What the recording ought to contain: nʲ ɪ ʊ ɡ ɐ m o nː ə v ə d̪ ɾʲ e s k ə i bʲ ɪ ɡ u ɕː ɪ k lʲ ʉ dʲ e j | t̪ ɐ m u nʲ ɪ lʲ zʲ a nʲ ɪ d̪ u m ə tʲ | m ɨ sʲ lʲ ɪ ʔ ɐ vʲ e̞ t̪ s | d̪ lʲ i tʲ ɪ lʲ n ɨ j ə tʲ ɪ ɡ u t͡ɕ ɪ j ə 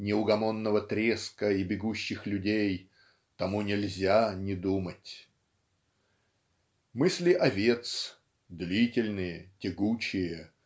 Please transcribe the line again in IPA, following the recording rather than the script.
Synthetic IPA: nʲ ɪ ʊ ɡ ɐ m o nː ə v ə t̪ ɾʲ e s k ə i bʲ ɪ ɡ u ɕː ɪ x lʲ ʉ dʲ e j | t̪ ɐ m u nʲ ɪ lʲ zʲ a nʲ ɪ d̪ u m ə tʲ | m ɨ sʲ lʲ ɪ ʔ ɐ vʲ e̞ t̪ s | d̪ lʲ i tʲ ɪ lʲ n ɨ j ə tʲ ɪ ɡ u t͡ɕ ɪ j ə